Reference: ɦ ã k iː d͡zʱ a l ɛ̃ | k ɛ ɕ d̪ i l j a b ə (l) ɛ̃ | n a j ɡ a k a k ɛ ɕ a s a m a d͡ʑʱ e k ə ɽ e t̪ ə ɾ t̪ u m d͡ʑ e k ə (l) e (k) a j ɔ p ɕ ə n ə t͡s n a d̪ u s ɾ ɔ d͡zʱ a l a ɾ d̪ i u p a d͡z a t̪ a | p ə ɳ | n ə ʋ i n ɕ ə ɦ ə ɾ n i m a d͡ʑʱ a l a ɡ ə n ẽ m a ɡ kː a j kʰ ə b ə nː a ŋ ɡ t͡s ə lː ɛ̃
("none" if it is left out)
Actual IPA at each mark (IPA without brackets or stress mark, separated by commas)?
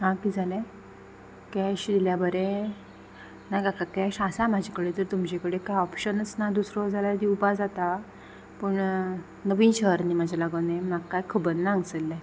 ɾ, ɽ, k